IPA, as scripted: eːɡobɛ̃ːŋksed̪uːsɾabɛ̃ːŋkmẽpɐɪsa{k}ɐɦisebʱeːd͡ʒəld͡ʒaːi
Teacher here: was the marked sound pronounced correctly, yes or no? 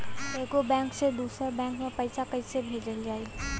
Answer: yes